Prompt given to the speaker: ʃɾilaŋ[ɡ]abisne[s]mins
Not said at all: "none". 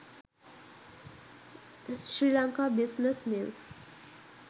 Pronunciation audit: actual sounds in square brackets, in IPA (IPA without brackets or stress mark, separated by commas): k, s